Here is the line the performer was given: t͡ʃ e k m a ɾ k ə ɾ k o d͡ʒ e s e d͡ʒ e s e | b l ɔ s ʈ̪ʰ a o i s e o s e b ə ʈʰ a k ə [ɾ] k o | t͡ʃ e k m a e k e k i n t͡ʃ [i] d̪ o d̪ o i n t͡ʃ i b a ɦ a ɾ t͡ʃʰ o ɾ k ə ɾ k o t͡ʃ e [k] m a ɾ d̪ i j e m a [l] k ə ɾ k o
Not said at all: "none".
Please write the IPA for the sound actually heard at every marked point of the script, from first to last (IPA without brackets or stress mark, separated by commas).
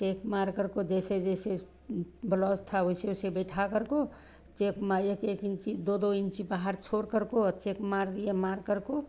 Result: ɾ, i, k, ɾ